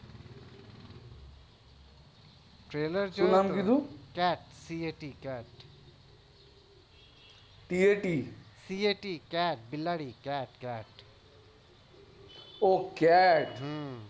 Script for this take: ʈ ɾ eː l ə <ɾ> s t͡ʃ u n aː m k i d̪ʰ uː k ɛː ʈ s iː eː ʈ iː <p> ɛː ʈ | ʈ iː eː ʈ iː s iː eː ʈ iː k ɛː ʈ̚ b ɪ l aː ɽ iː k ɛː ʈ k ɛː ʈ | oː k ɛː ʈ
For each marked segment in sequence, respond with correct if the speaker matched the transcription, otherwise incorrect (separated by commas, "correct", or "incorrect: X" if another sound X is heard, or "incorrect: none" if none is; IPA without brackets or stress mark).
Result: correct, incorrect: k